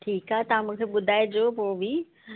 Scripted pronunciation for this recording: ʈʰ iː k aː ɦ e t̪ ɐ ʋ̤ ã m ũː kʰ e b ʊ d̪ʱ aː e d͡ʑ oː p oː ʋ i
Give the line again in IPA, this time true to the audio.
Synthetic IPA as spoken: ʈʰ iː k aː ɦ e t̪ ɐ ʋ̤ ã m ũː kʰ e ɓ ʊ d̪ʱ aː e d͡ʑ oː p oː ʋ i